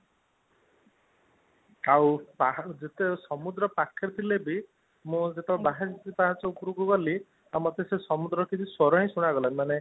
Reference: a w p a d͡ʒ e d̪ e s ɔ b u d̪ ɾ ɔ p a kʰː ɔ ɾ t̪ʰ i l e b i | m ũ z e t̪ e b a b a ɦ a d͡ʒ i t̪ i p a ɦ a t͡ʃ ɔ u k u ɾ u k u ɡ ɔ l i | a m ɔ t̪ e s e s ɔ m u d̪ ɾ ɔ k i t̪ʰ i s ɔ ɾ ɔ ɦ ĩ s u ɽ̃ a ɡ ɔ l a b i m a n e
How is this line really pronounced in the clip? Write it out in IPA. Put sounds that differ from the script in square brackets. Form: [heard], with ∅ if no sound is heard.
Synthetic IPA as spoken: a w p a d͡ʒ e [t̪] e s ɔ [m] u d̪ ɾ ɔ p a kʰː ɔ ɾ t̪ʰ i l e b i | m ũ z e t̪ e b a b a ɦ a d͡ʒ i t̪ i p a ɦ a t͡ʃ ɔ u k u ɾ u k u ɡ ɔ l i | a m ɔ t̪ e s e s ɔ m u d̪ ɾ ɔ k i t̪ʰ i s ɔ ɾ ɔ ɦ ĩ s u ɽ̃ a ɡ ɔ l a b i m a n e